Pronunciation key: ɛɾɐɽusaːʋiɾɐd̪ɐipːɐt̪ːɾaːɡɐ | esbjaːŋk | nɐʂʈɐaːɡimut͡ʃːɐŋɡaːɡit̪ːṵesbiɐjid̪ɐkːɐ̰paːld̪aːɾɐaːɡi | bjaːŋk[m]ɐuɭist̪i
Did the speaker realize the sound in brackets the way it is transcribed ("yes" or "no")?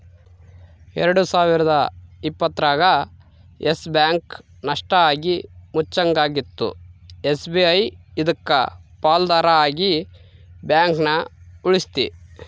no